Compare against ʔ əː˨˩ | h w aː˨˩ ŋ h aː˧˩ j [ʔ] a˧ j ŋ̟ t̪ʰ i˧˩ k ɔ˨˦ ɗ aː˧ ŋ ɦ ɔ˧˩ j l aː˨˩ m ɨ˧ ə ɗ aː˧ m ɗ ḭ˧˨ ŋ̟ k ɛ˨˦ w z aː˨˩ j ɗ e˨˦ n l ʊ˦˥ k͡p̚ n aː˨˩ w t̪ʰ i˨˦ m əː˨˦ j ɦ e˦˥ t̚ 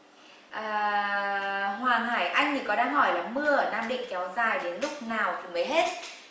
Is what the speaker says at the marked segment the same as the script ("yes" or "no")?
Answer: yes